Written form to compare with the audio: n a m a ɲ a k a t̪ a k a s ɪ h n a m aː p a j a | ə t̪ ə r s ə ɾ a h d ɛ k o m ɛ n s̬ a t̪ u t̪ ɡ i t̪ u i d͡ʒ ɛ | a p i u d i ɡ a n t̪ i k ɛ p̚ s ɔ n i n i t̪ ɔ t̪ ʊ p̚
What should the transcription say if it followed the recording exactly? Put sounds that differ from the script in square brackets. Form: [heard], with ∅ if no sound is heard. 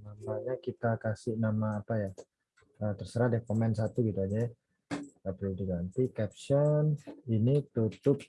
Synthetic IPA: n a m a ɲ a k [i] t̪ a k a s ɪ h n a m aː p a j a | ə t̪ ə r s ə ɾ a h d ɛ k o m ɛ n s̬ a t̪ u [∅] ɡ i t̪ u [a] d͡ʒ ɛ | a p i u d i ɡ a n t̪ i k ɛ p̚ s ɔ n i n i t̪ [u] t̪ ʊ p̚